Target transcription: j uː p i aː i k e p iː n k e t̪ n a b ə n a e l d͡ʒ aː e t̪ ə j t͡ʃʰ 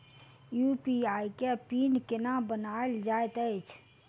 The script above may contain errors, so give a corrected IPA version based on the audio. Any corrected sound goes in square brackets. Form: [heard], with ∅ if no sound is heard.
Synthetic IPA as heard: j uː p i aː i k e p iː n k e [∅] n a b ə n a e l d͡ʒ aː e t̪ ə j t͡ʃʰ